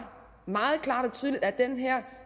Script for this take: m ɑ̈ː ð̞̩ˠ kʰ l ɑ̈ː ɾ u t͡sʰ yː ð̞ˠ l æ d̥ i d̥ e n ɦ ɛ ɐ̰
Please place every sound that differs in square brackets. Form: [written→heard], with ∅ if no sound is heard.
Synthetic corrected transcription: m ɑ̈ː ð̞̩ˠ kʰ l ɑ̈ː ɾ [u→ɒ] t͡sʰ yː ð̞ˠ l [æ→i] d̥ [i→æ] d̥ e n ɦ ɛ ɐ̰